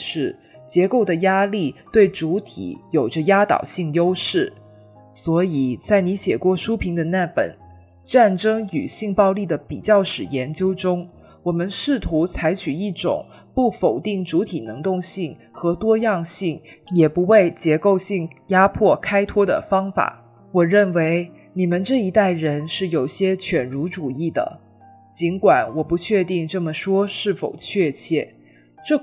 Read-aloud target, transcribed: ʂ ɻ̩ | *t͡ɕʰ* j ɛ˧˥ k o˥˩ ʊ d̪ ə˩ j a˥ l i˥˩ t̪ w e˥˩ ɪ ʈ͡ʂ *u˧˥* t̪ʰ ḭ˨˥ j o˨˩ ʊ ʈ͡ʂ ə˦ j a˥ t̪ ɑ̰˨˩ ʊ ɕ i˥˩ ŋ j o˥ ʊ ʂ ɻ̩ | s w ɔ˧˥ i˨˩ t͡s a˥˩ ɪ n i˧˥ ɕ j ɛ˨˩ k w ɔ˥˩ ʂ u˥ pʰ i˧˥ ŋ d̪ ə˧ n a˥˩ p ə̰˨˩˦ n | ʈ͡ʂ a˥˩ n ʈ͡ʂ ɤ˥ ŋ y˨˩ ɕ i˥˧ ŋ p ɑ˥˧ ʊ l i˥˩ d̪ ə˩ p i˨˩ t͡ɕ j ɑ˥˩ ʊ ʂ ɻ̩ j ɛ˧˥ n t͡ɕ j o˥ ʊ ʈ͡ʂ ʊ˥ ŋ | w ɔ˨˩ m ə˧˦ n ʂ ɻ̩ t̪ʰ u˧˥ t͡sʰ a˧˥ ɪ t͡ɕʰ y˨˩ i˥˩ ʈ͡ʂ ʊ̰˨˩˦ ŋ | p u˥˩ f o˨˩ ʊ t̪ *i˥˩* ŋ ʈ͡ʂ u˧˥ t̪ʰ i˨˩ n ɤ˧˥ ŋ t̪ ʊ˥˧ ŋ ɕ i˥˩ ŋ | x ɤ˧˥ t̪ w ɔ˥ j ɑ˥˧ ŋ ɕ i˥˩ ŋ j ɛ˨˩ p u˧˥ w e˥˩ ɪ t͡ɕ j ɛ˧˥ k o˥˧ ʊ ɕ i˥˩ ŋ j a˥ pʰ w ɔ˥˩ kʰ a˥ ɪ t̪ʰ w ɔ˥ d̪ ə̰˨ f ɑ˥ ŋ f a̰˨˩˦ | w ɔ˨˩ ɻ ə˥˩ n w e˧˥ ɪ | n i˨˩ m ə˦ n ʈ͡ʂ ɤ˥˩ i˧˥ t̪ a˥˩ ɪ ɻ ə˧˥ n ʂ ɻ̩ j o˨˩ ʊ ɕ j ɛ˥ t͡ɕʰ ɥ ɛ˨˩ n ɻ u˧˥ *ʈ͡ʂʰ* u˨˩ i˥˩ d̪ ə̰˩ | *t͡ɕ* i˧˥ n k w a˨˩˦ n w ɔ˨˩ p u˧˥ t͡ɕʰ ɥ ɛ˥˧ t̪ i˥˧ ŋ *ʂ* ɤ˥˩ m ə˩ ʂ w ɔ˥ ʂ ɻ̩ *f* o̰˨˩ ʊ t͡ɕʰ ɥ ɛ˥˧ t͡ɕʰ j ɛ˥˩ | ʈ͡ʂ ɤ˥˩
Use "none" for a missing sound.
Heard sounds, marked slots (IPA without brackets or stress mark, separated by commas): t͡ɕ, u˧˥, i˥˩, ʈ͡ʂ, t͡ɕ, ʈ͡ʂ, f